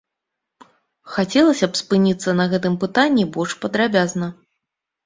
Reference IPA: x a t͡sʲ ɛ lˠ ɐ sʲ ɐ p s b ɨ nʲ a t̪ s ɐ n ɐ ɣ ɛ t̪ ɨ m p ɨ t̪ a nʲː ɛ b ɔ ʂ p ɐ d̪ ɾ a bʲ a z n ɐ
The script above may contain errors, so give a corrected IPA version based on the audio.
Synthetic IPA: x a t͡sʲ ɛ lˠ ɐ sʲ ɐ p s p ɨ nʲ i t̪ sː ɐ n ɐ ɣ ɛ t̪ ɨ m p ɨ t̪ a nʲː i b ɔ ʂ p ɐ d̪ ɾ a bʲ a z n ɐ